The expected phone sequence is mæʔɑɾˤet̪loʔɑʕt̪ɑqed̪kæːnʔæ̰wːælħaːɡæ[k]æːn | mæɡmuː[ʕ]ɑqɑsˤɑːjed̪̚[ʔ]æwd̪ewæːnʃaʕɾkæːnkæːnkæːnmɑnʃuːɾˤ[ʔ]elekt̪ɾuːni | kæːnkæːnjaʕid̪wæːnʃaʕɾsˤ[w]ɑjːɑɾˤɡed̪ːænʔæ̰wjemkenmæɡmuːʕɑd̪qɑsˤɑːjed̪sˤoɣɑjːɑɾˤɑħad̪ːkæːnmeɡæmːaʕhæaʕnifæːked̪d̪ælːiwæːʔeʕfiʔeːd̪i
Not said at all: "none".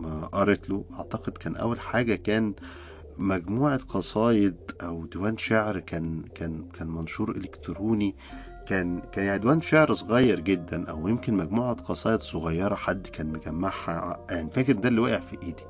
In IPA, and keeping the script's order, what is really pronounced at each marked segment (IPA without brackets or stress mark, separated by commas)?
k, ʕ, ʔ, ʔ, ɣ